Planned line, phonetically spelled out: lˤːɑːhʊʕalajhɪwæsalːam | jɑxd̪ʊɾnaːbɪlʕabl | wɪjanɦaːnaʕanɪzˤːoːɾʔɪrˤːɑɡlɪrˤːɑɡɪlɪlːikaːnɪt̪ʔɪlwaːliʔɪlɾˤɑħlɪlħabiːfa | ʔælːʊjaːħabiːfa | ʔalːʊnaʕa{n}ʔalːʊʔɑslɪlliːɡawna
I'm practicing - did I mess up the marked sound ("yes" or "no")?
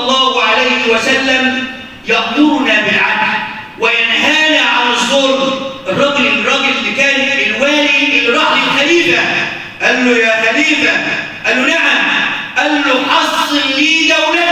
yes